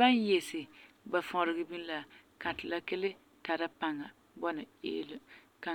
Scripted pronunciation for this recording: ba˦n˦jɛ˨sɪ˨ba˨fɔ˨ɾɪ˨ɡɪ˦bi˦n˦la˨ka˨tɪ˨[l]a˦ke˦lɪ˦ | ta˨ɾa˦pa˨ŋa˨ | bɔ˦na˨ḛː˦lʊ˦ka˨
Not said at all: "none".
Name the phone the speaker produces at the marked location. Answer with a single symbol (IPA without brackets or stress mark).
l